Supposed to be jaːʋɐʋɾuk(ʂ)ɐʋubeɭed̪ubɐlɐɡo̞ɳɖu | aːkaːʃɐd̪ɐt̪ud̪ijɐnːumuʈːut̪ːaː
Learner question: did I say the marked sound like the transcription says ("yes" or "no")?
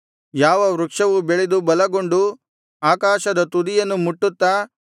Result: yes